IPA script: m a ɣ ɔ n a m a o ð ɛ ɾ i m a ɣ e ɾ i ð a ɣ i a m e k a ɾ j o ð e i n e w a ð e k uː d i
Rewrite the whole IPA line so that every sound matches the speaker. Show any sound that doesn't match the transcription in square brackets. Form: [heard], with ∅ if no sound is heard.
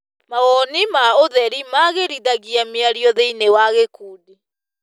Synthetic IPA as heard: m a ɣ ɔ n [i] m a o ð ɛ ɾ i m a ɣ e ɾ i ð a ɣ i a m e [∅] a ɾ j [ɔ] ð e i n e w a [ɣ] e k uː d i